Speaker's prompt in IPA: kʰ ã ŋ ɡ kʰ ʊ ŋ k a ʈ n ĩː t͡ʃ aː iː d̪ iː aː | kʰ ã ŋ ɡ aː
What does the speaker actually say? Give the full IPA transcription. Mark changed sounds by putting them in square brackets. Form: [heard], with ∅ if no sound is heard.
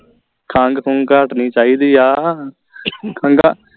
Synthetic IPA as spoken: kʰ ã ŋ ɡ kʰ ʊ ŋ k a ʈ n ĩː t͡ʃ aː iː d̪ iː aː | kʰ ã ŋ ɡ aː